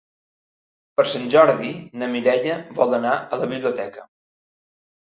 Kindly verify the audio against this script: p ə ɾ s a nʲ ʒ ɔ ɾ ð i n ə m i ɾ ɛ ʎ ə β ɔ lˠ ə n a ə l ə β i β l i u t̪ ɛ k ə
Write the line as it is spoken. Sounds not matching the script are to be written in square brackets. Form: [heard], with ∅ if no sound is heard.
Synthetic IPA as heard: p ə ɾ s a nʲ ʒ ɔ ɾ ð i n ə m i ɾ ɛ ʎ ə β ɔ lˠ ə n a ə l ə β i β l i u t̪ ɛ k ə